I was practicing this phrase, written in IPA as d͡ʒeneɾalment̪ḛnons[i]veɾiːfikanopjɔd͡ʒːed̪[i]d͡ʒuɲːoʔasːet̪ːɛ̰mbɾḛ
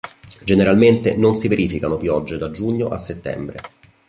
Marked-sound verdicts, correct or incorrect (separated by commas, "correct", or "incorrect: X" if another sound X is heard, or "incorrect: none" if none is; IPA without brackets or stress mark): correct, incorrect: a